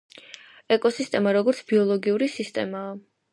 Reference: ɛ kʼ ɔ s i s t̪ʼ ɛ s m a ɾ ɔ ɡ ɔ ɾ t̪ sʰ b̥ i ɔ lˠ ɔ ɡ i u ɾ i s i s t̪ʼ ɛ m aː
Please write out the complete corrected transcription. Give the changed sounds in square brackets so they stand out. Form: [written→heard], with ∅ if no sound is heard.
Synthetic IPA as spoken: ɛ kʼ ɔ s i s t̪ʼ ɛ [s→∅] m a ɾ ɔ ɡ ɔ ɾ t̪ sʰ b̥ i ɔ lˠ ɔ ɡ i u ɾ i s i s t̪ʼ ɛ m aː